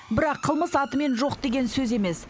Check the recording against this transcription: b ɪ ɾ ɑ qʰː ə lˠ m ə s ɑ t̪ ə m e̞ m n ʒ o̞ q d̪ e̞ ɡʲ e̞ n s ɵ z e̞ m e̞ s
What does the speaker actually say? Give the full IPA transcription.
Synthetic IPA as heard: b ɪ ɾ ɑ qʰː ə lˠ m ə s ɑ t̪ ə m e̞ n ʒ o̞ q d̪ e̞ ɡʲ e̞ n s ɵ z e̞ m e̞ s